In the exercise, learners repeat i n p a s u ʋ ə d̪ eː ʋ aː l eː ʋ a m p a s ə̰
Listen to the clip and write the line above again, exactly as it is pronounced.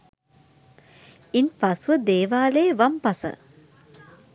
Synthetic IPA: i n p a s u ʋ ə d̪ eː ʋ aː l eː ʋ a m p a s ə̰